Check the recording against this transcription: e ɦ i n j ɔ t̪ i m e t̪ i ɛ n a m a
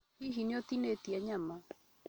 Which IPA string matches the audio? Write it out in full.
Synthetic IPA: i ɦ i n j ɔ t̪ i n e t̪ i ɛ ɲ a m a